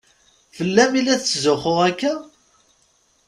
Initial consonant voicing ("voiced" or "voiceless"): voiceless